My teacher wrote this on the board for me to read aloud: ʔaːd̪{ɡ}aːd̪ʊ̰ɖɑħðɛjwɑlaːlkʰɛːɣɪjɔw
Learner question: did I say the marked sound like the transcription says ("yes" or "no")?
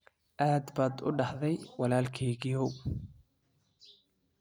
no